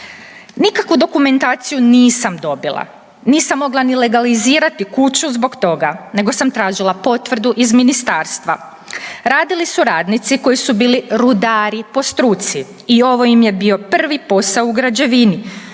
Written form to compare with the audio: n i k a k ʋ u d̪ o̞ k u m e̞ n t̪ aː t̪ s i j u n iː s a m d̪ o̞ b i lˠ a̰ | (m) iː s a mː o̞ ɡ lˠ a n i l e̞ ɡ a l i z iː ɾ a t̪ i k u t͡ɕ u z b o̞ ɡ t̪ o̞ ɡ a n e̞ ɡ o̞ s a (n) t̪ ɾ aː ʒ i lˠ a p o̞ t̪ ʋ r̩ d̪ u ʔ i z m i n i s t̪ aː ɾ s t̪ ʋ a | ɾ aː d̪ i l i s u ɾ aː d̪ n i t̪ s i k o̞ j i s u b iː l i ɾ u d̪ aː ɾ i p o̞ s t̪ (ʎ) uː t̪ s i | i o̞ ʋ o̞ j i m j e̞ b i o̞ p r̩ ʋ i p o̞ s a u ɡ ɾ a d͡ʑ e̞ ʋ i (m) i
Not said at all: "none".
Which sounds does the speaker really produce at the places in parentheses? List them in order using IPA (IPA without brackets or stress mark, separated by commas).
n, m, ɾ, n